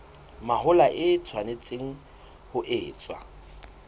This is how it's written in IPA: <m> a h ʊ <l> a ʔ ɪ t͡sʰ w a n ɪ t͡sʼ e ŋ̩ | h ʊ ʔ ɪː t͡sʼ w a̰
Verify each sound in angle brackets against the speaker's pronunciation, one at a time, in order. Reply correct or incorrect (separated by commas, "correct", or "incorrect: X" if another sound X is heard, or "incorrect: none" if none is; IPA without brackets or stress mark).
correct, correct